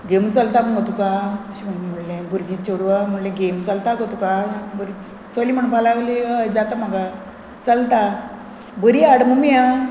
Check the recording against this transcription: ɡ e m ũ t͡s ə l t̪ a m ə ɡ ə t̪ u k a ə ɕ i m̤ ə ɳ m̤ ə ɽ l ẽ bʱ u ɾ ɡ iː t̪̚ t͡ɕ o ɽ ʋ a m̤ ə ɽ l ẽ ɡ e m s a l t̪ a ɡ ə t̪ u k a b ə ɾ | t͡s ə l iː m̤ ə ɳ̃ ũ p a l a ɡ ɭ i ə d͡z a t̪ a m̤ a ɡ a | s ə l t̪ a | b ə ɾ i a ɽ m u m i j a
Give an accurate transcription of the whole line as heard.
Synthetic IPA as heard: ɡ e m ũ t͡s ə l t̪ a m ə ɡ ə t̪ u k a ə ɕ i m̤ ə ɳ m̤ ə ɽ l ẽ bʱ u ɾ ɡ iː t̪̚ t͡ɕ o ɽ ʋ a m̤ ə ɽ l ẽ ɡ e m t͡s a l t̪ a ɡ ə t̪ u k a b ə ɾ | t͡s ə l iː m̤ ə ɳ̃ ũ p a l a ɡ l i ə d͡z a t̪ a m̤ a ɡ a | t͡s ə l t̪ a | b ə ɾ i a ɽ m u m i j a